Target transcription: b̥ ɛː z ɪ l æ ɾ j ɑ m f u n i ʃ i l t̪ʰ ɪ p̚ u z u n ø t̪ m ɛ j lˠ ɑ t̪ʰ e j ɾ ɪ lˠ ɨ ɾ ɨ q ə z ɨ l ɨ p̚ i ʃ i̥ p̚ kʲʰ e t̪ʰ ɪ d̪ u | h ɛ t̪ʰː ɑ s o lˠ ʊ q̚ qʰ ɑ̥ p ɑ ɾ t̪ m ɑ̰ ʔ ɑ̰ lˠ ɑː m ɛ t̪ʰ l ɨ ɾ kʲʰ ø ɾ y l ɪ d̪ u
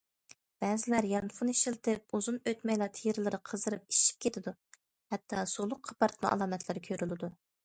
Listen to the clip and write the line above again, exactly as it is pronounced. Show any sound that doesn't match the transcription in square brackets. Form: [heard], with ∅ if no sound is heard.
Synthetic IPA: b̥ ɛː z ɪ l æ ɾ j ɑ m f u n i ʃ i l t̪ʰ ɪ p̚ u z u n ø t̪ m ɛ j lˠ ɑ t̪ʰ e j ɾ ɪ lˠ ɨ ɾ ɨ [qʰ] ə z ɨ [ɾ] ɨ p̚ i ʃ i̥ p̚ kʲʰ e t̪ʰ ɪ d̪ u | h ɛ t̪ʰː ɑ s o lˠ ʊ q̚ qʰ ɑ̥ p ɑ ɾ t̪ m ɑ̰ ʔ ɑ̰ lˠ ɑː m ɛ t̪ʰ l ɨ ɾ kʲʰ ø ɾ y l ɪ d̪ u